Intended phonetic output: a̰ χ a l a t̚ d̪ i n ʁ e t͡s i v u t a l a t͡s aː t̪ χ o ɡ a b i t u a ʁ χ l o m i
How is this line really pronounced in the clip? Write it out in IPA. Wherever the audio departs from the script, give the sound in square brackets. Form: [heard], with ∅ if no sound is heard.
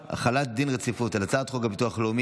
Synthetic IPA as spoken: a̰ χ a l a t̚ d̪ i n ʁ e t͡s i [f] u t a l a t͡s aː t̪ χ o ɡ a b i t u a [∅] χ l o m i